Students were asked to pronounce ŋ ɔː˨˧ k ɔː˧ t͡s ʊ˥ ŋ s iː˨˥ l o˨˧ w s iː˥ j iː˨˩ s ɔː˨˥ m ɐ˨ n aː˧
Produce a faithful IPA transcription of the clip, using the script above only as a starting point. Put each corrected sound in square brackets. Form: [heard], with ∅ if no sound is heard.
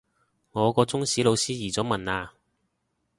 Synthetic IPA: ŋ ɔː˨˧ k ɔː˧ t͡s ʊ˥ ŋ s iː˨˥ l o˨˧ w s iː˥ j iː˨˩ [t͡s] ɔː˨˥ m ɐ˨ n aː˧